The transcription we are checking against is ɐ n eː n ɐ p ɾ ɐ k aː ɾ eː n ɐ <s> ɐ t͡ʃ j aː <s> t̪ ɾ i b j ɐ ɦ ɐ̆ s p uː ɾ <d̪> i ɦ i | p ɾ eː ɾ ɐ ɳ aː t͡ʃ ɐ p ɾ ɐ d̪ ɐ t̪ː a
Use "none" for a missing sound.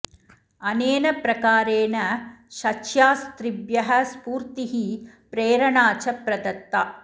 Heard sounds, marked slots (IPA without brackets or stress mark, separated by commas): ʃ, s, t̪